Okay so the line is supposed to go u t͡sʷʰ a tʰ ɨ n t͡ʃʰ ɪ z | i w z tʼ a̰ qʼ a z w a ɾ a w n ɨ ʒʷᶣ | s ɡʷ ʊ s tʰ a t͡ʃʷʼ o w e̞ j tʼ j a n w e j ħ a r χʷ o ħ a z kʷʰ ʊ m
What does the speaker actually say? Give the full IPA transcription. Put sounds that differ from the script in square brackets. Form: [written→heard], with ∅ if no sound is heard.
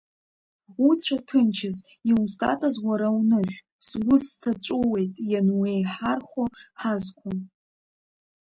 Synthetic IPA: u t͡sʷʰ a tʰ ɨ n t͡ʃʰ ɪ z | i w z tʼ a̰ [qʼ→tʼ] a z w a ɾ a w n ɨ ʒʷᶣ | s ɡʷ ʊ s tʰ a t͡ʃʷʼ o w e̞ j tʼ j a n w e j ħ a r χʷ o ħ a z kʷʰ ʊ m